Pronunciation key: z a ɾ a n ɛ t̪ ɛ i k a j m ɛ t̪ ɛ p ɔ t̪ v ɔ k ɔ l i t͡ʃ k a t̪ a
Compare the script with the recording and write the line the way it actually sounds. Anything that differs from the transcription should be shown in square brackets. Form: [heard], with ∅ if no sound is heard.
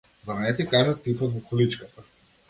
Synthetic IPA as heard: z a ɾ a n ɛ t̪ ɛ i k a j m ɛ t̪ [i] p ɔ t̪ v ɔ k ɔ l i t͡ʃ k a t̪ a